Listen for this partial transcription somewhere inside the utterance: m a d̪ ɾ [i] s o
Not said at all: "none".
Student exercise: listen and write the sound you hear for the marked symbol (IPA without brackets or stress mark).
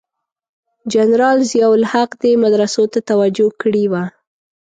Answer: a